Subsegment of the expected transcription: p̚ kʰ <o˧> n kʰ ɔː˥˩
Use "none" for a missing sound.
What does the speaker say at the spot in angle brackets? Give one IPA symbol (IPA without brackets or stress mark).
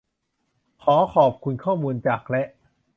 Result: u˧